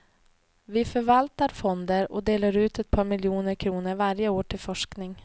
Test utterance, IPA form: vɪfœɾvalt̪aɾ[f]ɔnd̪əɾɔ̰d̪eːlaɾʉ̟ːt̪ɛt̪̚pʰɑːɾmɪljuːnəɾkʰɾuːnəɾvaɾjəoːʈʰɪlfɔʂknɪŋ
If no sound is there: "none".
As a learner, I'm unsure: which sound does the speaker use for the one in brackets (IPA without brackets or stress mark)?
f